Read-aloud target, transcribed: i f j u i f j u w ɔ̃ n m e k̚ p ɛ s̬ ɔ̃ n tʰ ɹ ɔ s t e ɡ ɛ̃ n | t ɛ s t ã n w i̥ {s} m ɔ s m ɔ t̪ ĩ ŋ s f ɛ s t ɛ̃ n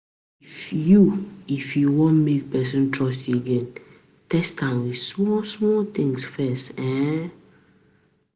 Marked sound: correct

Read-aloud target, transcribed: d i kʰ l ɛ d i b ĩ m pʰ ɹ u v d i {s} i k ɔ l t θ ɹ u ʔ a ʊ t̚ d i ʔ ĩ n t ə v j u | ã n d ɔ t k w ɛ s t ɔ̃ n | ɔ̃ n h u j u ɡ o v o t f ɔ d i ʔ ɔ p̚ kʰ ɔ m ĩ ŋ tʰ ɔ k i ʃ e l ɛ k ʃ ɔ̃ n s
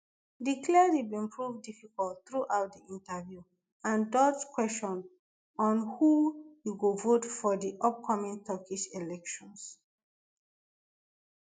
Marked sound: incorrect: f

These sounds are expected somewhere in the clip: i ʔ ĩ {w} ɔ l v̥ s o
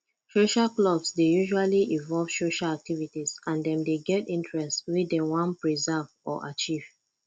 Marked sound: incorrect: v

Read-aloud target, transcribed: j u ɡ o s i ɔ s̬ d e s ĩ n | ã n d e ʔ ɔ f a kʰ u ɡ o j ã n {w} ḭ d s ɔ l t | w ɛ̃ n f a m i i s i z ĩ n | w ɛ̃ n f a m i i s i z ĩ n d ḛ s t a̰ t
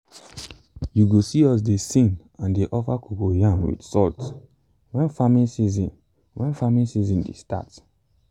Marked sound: correct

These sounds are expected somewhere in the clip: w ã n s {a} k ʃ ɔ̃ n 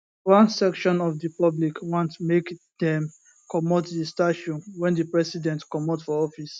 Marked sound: incorrect: ɛ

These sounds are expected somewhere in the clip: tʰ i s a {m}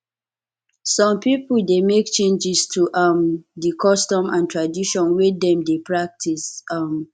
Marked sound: correct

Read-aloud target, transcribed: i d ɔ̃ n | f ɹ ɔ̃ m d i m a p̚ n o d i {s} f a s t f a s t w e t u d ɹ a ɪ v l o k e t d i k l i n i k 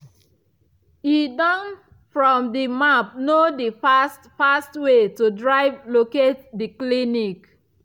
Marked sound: incorrect: none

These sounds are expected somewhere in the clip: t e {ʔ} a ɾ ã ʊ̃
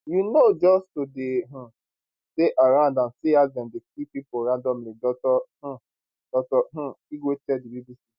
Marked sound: correct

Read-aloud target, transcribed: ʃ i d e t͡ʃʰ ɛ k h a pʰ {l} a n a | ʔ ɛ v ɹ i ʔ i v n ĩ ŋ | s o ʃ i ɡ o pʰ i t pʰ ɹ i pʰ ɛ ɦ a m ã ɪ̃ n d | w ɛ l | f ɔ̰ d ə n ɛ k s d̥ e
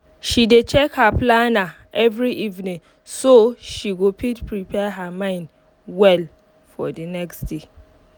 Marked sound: correct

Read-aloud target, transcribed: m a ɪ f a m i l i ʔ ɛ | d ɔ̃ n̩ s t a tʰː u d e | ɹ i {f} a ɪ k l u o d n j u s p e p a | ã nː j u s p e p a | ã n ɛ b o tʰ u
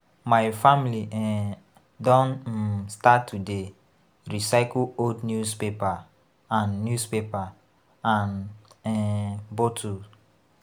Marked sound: incorrect: s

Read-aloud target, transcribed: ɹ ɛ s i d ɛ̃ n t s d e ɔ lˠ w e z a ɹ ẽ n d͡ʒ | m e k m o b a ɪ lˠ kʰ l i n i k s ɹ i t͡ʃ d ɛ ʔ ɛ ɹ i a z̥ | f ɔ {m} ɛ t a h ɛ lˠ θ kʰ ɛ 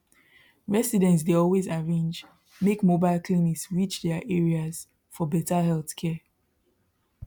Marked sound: incorrect: b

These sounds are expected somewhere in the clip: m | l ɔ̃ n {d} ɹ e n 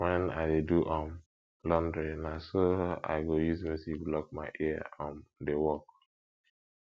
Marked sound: correct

